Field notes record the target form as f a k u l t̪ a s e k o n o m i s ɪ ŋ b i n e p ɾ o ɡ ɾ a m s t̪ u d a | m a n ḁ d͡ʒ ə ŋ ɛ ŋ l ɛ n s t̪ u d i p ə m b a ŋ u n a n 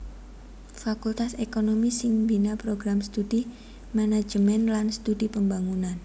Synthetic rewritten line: f a k u l t̪ a s e k o n o m i s ɪ ŋ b i n a p ɾ o ɡ ɾ a m s t̪ u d i | m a n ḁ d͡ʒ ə m ɛ n l a n s t̪ u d i p ə m b a ŋ u n a n